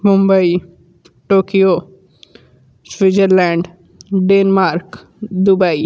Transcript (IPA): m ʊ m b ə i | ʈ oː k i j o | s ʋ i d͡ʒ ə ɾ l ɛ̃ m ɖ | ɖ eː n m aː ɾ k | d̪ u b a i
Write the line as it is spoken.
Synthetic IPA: m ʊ m b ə i | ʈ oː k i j o | s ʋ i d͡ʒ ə ɾ l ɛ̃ ɳ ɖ | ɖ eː n m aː ɾ k | d̪ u b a i

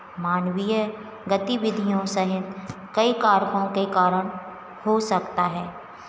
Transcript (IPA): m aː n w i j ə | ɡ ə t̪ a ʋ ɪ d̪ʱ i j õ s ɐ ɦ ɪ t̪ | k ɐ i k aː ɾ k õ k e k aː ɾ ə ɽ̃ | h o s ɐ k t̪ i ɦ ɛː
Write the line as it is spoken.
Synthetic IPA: m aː n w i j ə | ɡ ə t̪ i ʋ ɪ d̪ʱ i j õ s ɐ ɦ ɪ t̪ | k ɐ i k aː ɾ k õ k e k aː ɾ ə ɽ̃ | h o s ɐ k t̪ a ɦ ɛː

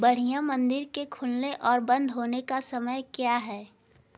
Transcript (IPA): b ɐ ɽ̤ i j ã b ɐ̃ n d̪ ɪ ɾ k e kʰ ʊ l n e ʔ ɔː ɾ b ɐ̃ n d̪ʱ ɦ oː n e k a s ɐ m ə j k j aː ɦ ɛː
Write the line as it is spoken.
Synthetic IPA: b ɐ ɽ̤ i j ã m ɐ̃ n d̪ ɪ ɾ k e kʰ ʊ l n e ʔ ɔː ɾ b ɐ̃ n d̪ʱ ɦ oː n e k a s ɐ m ə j k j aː ɦ ɛː

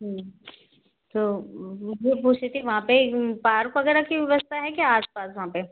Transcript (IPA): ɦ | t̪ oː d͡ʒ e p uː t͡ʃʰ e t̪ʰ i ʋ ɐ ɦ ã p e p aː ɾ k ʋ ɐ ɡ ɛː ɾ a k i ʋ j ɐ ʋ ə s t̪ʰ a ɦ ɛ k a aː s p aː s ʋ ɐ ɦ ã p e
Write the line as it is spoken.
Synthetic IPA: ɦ | t̪ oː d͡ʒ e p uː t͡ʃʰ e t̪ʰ i ʋ ɐ ɦ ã p e p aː ɾ k ʋ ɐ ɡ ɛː ɾ a k i ʋ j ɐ ʋ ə s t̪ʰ a ɦ ɛ k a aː s p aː s ʋ ɐ ɦ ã p e

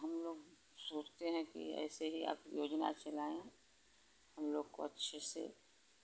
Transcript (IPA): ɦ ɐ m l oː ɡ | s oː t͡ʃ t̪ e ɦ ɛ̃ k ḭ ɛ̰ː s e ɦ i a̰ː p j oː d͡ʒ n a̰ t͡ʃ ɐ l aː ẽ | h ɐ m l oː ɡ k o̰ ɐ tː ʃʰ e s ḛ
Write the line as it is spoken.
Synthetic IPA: ɦ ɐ m l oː ɡ | s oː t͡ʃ t̪ e ɦ ɛ̃ k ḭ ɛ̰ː s e ɦ i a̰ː p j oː d͡ʒ n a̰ t͡ʃ ɐ l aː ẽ | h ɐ m l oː ɡ k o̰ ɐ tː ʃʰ e s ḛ

